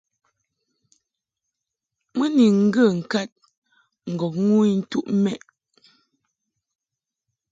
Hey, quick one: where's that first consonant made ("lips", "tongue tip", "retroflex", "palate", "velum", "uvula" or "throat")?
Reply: lips